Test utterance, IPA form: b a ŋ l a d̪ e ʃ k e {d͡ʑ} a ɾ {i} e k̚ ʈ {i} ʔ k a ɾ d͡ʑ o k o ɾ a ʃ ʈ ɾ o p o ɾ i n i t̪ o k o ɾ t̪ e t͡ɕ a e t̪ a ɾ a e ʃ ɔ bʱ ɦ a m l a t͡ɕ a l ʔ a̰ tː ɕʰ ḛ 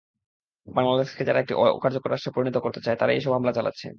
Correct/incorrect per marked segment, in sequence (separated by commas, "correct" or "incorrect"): correct, incorrect, correct